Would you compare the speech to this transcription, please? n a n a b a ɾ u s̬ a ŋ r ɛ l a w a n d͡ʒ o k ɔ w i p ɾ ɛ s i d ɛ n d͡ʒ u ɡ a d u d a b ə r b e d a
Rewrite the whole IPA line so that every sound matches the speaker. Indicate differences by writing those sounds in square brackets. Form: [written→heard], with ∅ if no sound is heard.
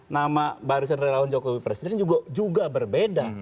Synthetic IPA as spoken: n a [n→m] a b a ɾ u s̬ a [ŋ→n] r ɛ l a w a n d͡ʒ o k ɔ w i p ɾ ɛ s i d ɛ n d͡ʒ u ɡ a [d→d͡ʒ] u [d→ɡ] a b ə r b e d a